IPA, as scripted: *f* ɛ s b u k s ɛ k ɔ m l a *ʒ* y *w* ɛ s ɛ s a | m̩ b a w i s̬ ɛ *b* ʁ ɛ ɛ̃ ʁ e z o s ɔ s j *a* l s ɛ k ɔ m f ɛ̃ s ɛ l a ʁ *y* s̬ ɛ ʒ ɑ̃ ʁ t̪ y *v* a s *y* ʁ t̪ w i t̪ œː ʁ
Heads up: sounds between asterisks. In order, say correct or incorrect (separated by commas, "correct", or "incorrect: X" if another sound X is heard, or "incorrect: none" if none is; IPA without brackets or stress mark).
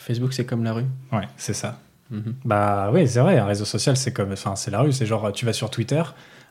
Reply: correct, incorrect: ʁ, correct, incorrect: v, correct, correct, correct, correct